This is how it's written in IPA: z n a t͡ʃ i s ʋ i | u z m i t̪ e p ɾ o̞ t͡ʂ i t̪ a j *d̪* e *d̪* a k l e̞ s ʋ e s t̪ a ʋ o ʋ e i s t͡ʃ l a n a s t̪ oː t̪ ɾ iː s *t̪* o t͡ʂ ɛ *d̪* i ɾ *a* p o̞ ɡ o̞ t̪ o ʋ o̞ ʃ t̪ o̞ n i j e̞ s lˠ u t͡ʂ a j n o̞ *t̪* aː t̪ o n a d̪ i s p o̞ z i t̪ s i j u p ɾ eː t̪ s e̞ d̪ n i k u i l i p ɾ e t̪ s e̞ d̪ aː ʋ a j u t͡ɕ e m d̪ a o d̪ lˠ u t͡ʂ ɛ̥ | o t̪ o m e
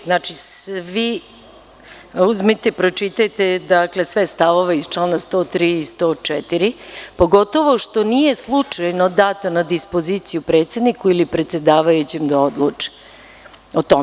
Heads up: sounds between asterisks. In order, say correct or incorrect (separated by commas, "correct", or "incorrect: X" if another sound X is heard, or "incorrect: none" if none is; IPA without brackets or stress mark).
incorrect: t̪, correct, correct, incorrect: t̪, incorrect: i, incorrect: d̪